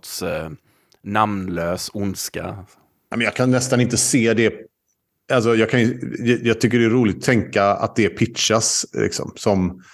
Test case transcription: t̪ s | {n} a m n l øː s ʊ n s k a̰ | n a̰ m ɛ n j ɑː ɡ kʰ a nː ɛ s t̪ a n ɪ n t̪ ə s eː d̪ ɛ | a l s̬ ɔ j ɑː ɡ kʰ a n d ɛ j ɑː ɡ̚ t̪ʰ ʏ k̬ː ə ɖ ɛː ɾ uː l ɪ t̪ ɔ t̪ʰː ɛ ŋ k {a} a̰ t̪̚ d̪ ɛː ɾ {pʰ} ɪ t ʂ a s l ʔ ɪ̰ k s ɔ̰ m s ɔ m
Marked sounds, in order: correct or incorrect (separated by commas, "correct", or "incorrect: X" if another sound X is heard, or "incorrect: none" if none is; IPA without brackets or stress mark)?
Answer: correct, correct, correct